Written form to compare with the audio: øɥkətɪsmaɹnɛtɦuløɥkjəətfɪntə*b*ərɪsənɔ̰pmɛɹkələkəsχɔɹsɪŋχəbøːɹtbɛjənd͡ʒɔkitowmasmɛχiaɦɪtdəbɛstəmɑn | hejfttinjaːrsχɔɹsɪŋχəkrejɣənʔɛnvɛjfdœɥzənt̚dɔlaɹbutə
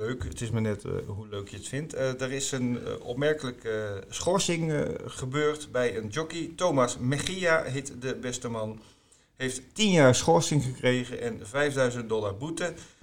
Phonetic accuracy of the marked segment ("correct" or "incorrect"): incorrect